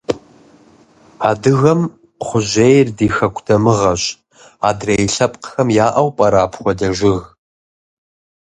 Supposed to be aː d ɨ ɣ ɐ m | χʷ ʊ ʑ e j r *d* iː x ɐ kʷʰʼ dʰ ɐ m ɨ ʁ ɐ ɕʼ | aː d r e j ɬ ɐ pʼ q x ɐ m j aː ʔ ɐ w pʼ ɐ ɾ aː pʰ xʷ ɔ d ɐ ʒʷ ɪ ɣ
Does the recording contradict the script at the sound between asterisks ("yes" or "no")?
no